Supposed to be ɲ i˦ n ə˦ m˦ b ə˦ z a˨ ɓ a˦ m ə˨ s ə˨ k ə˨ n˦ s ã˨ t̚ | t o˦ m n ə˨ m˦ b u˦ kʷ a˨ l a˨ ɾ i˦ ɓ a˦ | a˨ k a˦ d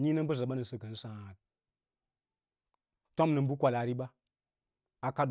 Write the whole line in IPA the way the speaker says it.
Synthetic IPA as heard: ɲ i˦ n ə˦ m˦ b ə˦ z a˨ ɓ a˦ n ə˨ s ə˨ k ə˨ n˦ s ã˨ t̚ | t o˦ m n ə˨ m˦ b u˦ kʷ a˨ l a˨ ɾ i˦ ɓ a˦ | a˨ k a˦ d